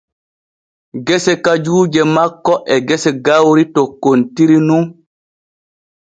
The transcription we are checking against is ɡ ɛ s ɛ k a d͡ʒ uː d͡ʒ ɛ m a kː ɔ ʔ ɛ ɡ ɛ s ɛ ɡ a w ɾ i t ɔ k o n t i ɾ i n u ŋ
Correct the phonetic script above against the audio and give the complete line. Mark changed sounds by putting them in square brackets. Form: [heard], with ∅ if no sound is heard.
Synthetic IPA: ɡ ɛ s ɛ k a d͡ʒ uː d͡ʒ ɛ m a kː ɔ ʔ ɛ ɡ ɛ s ɛ ɡ a w ɾ i t ɔ k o n t i ɾ i n u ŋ

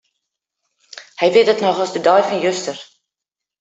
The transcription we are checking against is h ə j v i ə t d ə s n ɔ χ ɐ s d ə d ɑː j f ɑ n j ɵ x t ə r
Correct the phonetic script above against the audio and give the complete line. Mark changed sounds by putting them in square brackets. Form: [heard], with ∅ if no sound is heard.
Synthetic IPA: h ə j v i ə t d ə [t] n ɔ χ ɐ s d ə d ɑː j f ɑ n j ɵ [s] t ə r

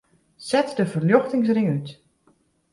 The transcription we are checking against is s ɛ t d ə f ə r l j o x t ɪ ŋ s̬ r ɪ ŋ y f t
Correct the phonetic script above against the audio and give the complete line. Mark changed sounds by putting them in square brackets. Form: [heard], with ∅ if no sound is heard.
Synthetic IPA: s ɛ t d ə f ə r l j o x t ɪ ŋ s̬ r ɪ ŋ y [∅] t

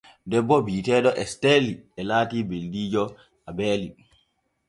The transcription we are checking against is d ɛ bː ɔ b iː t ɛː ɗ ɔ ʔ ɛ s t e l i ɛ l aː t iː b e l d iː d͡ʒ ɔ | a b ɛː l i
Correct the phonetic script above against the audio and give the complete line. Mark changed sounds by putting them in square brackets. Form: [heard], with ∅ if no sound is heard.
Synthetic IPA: d ɛ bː ɔ b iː t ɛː ɗ ɔ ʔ ɛ s t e l i ɛ l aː t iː b e l d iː d͡ʒ ɔ | a b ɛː l i

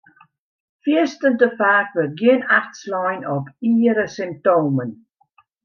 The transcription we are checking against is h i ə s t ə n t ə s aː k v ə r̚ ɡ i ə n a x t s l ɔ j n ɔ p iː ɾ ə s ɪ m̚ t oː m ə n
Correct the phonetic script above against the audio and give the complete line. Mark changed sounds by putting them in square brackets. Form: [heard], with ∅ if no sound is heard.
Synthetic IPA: [f] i ə s t ə n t ə [f] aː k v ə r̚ ɡ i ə n a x t s l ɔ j n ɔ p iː ɾ ə s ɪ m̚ t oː m ə n

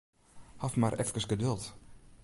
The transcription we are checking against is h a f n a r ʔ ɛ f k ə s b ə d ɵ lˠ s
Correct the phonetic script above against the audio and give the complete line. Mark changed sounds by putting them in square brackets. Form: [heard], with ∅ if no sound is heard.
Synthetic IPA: h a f [m] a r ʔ ɛ f k ə s [ɡ] ə d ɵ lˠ [t]

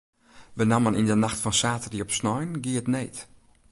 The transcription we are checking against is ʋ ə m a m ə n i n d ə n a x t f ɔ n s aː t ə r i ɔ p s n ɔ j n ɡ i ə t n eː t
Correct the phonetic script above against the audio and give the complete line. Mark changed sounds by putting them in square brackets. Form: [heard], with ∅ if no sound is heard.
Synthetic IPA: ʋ ə [n] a m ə n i n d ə n a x t f ɔ n s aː t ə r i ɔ p s n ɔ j n ɡ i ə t n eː t

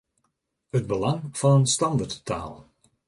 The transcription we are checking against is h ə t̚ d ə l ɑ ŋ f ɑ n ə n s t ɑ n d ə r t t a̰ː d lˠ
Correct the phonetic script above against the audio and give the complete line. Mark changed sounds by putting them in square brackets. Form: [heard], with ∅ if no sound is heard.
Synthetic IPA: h ə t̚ [b] ə l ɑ ŋ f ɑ n ə n s t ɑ n d ə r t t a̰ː [∅] lˠ

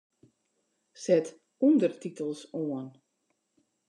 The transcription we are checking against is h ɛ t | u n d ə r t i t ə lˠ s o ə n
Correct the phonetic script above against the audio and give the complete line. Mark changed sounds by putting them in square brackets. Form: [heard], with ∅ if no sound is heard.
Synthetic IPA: [s] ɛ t | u n d ə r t i t ə lˠ s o ə n

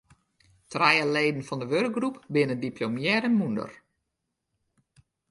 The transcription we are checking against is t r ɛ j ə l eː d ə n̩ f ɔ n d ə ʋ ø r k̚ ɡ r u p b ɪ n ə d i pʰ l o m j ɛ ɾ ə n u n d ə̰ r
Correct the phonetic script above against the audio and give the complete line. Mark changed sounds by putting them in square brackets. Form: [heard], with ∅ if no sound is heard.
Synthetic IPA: t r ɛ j ə l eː d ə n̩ f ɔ n d ə ʋ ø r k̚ ɡ r u p b ɪ n ə d i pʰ l o m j ɛ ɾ ə [m] u n d ə̰ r

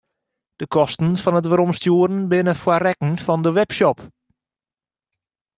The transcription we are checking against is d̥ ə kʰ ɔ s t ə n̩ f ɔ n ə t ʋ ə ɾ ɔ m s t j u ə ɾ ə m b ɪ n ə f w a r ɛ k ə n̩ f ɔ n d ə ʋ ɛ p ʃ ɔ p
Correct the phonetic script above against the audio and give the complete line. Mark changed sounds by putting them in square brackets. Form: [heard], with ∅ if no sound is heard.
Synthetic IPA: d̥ ə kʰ ɔ s t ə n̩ f ɔ n ə t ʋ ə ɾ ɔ m s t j u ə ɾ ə [n] b ɪ n ə f w a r ɛ k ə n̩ f ɔ n d ə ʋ ɛ p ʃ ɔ p

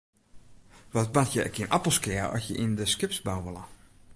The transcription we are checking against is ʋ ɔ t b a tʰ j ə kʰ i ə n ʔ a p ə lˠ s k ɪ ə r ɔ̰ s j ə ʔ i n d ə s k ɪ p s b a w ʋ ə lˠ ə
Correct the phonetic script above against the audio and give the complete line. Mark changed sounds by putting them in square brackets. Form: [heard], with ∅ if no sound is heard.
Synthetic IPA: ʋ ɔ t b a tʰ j ə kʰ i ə n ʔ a p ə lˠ s k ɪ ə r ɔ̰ s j ə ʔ i n d ə s k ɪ p s b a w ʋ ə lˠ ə

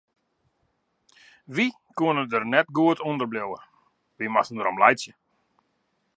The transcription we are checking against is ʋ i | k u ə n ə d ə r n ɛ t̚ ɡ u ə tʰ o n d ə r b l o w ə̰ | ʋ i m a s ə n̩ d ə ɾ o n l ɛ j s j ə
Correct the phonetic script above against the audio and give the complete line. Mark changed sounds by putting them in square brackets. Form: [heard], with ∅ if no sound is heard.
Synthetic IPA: ʋ i | k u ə n ə d ə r n ɛ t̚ ɡ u ə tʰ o n d ə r b l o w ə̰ | ʋ i m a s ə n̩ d ə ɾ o [m] l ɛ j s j ə

